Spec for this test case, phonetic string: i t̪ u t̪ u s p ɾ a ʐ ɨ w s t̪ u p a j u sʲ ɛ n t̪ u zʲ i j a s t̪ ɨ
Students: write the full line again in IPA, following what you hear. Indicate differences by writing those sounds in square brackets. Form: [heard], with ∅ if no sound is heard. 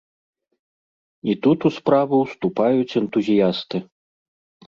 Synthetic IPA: i t̪ u t̪ u s p ɾ a [v] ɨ w s t̪ u p a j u [t͡sʲ] ɛ n t̪ u zʲ i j a s t̪ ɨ

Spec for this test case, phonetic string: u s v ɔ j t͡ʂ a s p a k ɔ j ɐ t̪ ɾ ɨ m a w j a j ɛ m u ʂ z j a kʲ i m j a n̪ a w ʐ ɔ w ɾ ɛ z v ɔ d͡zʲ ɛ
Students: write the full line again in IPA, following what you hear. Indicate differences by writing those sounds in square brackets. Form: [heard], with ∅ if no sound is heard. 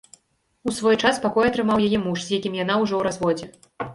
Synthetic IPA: u s v ɔ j t͡ʂ a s p a k ɔ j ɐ t̪ ɾ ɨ m a w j a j ɛ m u ʂ z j a kʲ i m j a n̪ a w ʐ ɔ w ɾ [a] z v ɔ d͡zʲ ɛ

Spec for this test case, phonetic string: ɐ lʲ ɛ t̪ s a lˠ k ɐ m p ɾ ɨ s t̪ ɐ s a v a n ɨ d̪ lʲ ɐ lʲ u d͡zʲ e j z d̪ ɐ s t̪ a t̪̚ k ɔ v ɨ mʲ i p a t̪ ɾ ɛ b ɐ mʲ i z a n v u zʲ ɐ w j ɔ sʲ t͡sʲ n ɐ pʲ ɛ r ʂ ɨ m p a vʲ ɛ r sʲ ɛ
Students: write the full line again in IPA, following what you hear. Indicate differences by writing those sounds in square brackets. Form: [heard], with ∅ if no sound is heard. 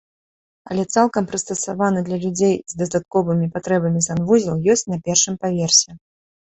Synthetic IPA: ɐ lʲ ɛ t̪ s a lˠ k ɐ m p ɾ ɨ s t̪ ɐ s a v a n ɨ d̪ lʲ ɐ lʲ u d͡zʲ e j z d̪ ɐ s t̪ a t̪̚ k ɔ v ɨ mʲ i p a t̪ ɾ ɛ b ɐ mʲ i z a n v u zʲ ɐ w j ɔ sʲ t͡sʲ n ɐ pʲ ɛ r ʂ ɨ m p a vʲ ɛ r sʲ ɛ

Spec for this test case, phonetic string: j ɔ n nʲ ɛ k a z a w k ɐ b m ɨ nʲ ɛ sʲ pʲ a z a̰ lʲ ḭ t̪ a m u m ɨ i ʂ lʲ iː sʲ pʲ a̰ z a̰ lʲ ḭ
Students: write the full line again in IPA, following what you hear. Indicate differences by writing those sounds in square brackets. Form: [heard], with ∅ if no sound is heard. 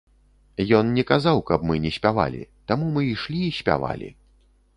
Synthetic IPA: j ɔ n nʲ ɛ k a z a w k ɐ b m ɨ nʲ ɛ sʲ pʲ a [v] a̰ lʲ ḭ t̪ a m u m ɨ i ʂ lʲ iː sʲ pʲ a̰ [v] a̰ lʲ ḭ

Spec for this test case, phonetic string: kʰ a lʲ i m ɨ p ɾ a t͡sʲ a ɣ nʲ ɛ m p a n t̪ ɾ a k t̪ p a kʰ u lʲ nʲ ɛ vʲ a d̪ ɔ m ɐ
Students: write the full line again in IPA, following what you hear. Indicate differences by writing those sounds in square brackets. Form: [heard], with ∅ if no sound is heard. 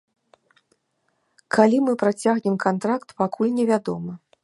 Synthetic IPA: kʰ a lʲ i m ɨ p ɾ a t͡sʲ a ɣ nʲ ɛ m [k] a n t̪ ɾ a k t̪ p a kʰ u lʲ nʲ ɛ vʲ a d̪ ɔ m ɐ

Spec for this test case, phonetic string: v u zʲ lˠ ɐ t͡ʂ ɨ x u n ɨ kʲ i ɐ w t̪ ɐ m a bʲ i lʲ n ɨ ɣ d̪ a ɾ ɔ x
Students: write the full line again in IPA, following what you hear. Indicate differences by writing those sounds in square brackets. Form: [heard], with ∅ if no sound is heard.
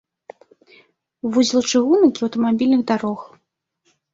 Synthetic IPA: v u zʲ lˠ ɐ t͡ʂ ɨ [ɣ] u n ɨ kʲ i ɐ w t̪ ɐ m a bʲ i lʲ n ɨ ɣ d̪ a ɾ ɔ x

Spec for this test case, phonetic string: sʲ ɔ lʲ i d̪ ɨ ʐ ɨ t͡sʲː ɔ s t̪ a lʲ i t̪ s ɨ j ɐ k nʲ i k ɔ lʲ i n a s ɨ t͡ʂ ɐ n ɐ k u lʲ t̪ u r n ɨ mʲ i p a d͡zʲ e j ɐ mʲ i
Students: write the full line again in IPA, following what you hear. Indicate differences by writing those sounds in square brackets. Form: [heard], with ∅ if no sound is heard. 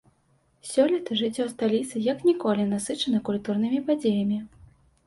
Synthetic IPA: sʲ ɔ lʲ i [t̪] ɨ ʐ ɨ t͡sʲː ɔ s t̪ a lʲ i t̪ s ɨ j ɐ k nʲ i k ɔ lʲ i n a s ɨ t͡ʂ ɐ n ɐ k u lʲ t̪ u r n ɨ mʲ i p a d͡zʲ e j ɐ mʲ i

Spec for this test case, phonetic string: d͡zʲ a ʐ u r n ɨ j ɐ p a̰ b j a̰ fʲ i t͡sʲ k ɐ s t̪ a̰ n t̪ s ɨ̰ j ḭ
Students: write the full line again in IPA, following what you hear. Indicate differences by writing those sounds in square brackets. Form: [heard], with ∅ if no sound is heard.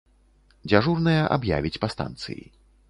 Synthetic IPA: d͡zʲ a ʐ u r n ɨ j ɐ [ʔ] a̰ b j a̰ [vʲ] i t͡sʲ [p] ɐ s t̪ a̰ n t̪ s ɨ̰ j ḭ

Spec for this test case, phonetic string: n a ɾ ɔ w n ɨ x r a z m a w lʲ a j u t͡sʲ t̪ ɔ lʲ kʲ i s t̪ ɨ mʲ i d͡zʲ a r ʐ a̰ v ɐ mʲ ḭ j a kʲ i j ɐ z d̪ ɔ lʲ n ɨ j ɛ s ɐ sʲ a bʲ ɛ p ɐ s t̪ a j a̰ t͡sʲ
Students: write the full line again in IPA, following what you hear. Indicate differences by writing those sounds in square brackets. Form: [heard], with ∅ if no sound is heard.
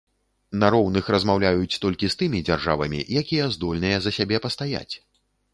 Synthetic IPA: n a ɾ ɔ w n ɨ x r [ɐ] z m a w lʲ a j u t͡sʲ t̪ ɔ lʲ kʲ i s t̪ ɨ mʲ i d͡zʲ a r ʐ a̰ v ɐ mʲ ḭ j a kʲ i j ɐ z d̪ ɔ lʲ n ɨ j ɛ [z] ɐ sʲ a bʲ ɛ p ɐ s t̪ a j a̰ t͡sʲ

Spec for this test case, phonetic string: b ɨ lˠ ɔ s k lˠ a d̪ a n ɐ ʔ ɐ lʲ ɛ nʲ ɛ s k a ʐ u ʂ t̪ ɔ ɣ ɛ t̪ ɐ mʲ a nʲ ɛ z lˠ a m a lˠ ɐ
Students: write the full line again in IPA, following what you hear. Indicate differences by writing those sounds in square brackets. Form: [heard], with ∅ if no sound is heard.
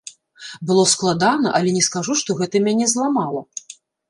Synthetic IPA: b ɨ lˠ ɔ s k lˠ a d̪ a n ɐ ʔ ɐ lʲ ɛ nʲ ɛ s k a ʐ u ʂ t̪ ɔ ɣ ɛ t̪ ɐ mʲ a nʲ ɛ z lˠ a m a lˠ ɐ

